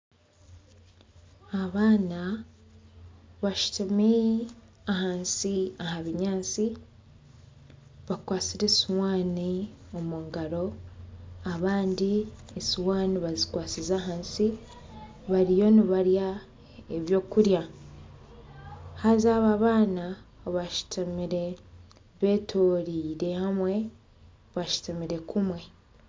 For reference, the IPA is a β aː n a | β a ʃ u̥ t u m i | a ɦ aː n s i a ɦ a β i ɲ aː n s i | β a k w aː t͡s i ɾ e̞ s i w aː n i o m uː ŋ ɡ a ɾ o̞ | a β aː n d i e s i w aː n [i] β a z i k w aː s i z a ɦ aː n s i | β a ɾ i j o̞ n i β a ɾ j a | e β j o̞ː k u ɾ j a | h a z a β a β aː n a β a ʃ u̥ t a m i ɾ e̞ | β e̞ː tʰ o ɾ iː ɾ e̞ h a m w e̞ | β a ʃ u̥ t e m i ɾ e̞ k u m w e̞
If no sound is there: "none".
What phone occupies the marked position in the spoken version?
i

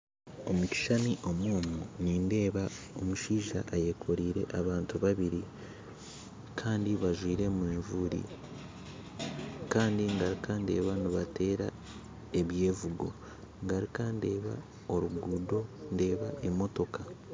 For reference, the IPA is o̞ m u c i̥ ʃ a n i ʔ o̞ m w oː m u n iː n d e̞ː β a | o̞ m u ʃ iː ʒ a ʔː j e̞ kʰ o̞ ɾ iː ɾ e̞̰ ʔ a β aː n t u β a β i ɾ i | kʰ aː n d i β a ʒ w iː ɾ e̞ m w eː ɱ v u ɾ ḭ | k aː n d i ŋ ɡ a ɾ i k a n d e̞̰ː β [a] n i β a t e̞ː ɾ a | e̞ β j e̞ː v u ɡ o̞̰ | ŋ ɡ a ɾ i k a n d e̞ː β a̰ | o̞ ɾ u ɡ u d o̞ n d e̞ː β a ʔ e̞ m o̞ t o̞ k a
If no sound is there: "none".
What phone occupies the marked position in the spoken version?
a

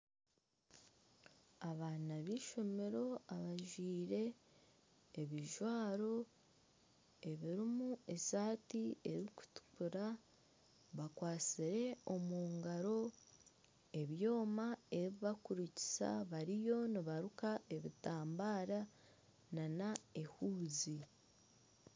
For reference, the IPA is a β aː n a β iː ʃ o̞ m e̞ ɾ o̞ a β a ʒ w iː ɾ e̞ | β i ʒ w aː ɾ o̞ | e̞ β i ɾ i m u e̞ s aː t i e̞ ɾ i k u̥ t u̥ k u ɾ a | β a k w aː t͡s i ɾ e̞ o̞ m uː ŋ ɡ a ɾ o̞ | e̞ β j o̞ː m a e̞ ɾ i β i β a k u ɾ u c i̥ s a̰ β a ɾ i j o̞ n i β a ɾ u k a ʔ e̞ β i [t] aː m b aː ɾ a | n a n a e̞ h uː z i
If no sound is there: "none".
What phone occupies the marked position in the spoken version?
t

